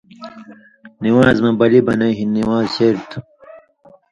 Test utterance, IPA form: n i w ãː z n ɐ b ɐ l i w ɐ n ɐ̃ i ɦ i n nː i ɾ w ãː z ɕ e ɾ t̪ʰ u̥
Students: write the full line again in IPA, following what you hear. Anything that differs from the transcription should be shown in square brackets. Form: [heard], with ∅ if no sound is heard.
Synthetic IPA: n i w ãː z [m] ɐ b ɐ l i [b] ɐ n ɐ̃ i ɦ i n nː i [∅] w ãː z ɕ e ɾ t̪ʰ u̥